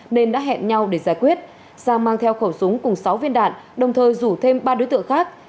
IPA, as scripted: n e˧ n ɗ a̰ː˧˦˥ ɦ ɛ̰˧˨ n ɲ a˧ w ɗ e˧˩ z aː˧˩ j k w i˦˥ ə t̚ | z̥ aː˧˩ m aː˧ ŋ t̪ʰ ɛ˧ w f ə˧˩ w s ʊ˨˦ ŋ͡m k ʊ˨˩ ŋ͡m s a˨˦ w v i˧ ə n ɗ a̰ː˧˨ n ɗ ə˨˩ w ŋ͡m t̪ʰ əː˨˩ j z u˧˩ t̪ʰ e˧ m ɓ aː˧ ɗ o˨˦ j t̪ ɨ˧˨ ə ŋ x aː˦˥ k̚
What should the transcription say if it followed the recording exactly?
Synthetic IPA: n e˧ n ɗ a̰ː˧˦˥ ɦ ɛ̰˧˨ n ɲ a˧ w ɗ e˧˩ z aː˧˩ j k w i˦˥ ə t̚ | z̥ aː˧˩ m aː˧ ŋ t̪ʰ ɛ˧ w x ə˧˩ w s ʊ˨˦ ŋ͡m k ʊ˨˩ ŋ͡m s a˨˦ w v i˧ ə n ɗ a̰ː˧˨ n ɗ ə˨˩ w ŋ͡m t̪ʰ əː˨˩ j z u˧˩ t̪ʰ e˧ m ɓ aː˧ ɗ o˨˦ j t̪ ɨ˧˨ ə ŋ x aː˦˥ k̚